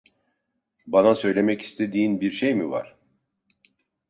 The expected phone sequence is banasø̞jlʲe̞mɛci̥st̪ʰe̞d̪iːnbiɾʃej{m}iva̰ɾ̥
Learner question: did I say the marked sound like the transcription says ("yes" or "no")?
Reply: yes